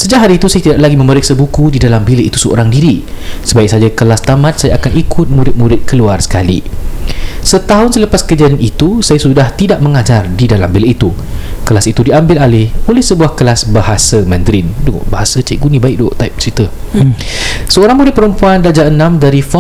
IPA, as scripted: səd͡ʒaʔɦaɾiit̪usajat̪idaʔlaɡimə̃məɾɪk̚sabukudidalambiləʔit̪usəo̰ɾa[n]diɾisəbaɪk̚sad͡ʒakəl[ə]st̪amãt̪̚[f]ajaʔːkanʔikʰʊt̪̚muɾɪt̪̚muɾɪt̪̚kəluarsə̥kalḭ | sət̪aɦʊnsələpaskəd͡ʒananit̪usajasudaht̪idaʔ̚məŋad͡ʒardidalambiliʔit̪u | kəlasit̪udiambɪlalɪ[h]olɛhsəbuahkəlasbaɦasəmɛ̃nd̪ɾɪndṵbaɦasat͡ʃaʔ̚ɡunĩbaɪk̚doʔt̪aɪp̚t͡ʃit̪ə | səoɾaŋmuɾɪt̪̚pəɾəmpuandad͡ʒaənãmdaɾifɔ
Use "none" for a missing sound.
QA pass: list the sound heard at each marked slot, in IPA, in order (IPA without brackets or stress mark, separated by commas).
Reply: ŋ, a, s, h